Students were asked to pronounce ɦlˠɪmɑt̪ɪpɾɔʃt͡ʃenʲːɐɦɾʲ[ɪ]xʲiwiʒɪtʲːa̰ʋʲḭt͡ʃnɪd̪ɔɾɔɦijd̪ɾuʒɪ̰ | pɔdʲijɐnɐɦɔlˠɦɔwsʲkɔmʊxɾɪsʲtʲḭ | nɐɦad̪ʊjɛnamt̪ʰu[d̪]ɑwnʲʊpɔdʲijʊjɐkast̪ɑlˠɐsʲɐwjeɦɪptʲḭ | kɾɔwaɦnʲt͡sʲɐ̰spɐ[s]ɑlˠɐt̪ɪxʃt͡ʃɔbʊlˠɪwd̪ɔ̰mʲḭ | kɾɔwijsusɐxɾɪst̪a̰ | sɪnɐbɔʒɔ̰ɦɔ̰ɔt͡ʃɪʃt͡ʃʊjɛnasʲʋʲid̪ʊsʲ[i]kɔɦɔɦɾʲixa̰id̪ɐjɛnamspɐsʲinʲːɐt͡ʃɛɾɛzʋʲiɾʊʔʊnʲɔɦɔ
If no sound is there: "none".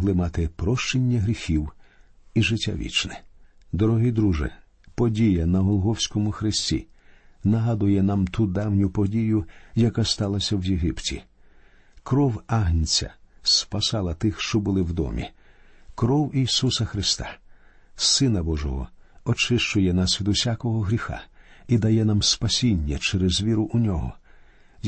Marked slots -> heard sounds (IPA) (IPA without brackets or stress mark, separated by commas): i, d̪, s, a